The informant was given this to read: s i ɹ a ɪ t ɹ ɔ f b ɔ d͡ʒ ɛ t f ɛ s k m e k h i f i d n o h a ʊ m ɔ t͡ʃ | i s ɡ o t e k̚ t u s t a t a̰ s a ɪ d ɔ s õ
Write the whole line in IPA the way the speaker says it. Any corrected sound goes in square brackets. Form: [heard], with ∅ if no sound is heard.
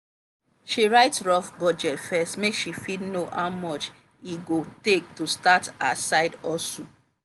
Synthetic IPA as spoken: [ʃ] i ɹ a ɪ t ɹ ɔ f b ɔ d͡ʒ ɛ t f ɛ s [t] m e k [ʃ] i f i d n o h a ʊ m ɔ t͡ʃ | i [∅] ɡ o t e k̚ t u s t a t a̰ s a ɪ d ɔ s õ